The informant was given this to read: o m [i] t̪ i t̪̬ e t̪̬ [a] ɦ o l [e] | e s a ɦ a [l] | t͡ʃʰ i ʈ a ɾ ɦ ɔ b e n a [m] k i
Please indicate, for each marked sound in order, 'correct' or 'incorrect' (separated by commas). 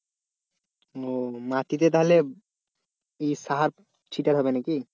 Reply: incorrect, correct, correct, incorrect, incorrect